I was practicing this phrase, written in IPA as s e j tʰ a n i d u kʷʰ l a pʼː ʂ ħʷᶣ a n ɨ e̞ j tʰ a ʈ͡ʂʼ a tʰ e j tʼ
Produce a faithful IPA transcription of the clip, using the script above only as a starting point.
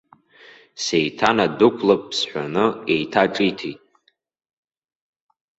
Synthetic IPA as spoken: s e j tʰ a n a d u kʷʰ l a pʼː s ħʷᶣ a n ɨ e̞ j tʰ a ʈ͡ʂʼ i tʰ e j tʼ